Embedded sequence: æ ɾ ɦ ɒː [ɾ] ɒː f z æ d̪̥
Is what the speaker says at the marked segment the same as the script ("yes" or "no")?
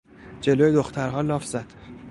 no